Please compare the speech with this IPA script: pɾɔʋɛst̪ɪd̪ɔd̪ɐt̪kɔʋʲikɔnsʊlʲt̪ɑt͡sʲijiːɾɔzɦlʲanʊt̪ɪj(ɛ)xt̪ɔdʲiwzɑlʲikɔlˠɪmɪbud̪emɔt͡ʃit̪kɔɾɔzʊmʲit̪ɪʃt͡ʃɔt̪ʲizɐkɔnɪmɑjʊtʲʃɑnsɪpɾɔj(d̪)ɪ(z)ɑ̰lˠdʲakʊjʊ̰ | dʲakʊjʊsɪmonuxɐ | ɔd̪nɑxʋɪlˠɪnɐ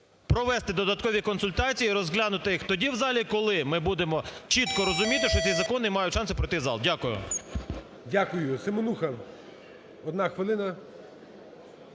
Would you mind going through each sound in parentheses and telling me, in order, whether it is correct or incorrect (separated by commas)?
incorrect, incorrect, correct